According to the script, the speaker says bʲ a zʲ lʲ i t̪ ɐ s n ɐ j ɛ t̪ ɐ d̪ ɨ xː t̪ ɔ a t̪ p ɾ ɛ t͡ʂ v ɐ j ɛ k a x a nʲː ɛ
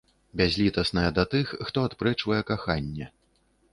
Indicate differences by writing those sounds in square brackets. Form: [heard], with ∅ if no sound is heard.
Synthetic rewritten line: bʲ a zʲ lʲ i t̪ ɐ s n ɐ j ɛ [d̪] ɐ [t̪] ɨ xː t̪ ɔ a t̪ p ɾ ɛ t͡ʂ v ɐ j ɛ k a x a nʲː ɛ